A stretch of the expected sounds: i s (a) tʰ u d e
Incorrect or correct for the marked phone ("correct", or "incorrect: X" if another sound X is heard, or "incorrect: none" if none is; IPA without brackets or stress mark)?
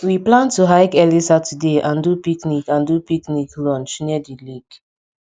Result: correct